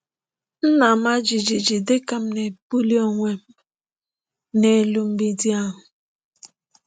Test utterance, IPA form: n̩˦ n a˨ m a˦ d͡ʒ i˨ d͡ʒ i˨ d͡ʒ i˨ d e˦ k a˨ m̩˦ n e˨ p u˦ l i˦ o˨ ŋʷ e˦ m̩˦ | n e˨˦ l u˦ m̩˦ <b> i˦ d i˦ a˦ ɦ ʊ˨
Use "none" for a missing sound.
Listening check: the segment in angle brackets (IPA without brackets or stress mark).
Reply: b